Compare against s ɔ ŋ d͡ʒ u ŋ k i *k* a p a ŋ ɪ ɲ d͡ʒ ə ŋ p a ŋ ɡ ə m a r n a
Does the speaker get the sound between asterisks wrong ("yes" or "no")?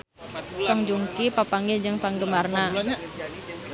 yes